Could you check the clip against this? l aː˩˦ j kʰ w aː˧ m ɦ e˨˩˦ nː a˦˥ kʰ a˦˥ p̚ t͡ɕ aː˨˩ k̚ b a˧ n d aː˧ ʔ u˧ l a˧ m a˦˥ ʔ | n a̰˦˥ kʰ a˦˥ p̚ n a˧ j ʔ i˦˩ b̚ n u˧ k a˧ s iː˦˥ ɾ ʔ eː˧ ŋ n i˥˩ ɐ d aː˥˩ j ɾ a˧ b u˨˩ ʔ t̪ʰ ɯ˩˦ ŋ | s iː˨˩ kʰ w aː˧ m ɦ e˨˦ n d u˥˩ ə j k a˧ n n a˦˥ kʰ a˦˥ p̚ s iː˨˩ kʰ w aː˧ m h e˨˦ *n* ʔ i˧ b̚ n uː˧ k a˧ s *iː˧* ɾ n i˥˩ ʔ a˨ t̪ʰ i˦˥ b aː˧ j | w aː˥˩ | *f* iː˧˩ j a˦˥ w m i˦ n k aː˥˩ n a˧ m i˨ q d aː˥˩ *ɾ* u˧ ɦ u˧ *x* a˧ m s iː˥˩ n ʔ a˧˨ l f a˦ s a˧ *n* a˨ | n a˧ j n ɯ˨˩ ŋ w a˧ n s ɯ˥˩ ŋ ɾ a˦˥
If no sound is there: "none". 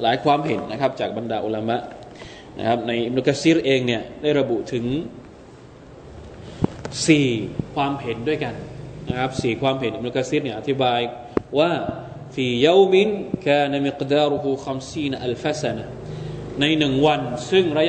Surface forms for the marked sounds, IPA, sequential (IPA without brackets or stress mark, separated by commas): n, iː˦˥, f, ɾ, x, n